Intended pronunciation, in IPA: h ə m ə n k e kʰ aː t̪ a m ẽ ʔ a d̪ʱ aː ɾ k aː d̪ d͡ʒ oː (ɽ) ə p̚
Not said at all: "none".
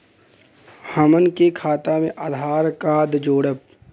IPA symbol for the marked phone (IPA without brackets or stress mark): ɽ